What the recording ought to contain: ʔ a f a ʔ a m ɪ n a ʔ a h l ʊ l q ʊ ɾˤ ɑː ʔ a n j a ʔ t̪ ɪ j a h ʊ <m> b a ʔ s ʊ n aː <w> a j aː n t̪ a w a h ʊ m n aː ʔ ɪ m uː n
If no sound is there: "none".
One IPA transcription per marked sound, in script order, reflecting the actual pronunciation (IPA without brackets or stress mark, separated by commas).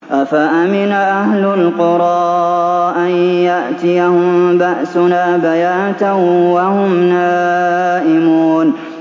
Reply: m, b